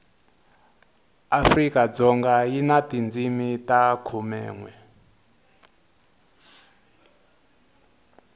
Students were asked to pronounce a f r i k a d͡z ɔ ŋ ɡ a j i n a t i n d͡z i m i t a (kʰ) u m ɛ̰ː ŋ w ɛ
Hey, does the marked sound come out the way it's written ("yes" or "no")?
yes